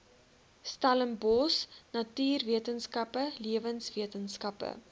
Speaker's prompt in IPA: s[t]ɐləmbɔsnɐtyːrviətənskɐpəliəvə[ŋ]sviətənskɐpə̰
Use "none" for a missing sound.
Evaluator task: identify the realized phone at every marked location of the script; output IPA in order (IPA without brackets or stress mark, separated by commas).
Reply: t, n